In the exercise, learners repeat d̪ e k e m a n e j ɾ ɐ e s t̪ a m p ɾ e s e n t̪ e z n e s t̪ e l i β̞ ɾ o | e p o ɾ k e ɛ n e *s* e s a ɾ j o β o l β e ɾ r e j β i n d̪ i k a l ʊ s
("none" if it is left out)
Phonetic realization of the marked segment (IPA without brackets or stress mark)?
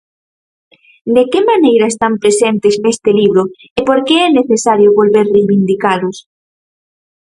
θ